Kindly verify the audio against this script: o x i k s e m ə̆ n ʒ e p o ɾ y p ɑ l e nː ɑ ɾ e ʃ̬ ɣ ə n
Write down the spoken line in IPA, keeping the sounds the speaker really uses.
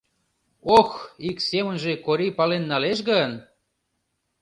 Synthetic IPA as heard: o x i k s e m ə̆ n ʒ e k o ɾ i p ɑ l e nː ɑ l e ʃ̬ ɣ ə n